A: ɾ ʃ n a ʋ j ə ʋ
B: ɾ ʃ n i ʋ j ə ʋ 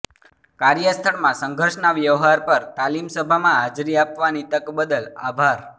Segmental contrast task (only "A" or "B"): A